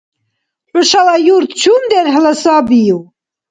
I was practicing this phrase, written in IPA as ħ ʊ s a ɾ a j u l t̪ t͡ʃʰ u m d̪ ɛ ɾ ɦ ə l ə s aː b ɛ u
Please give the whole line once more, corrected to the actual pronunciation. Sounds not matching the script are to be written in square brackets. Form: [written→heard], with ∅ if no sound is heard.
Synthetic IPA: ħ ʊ [s→ʃ] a [ɾ→l] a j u [l→ɾ] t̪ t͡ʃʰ u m d̪ ɛ ɾ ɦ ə l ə s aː b [ɛ→i] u